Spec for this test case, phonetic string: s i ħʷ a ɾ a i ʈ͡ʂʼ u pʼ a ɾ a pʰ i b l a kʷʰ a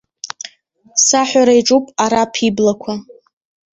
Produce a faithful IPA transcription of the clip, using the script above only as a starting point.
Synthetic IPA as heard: s a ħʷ a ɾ a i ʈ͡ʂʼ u pʼ a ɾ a pʰ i b l a kʷʰ a